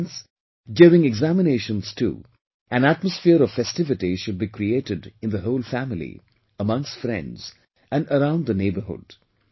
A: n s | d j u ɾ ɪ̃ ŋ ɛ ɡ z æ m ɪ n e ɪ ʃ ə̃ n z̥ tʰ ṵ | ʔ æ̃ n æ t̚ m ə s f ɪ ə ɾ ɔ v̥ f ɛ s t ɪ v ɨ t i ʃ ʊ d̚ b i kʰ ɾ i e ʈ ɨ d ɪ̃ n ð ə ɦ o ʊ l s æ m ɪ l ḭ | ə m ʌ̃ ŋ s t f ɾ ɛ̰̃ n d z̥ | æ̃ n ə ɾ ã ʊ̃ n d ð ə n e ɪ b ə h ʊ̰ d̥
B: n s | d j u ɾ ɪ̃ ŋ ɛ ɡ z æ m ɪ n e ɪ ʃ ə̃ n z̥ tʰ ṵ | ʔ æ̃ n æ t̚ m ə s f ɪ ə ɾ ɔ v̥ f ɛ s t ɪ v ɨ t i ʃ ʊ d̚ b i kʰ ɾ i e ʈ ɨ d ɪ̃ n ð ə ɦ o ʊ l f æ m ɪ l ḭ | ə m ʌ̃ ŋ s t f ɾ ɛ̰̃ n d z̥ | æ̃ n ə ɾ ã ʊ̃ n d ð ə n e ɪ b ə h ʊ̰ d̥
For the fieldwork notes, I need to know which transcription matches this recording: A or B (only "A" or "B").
B